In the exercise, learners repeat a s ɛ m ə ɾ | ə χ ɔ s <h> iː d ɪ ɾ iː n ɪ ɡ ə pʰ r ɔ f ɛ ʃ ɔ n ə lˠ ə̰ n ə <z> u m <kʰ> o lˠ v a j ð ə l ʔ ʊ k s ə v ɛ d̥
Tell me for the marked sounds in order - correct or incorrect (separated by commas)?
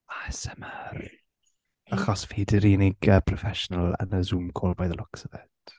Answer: incorrect, correct, correct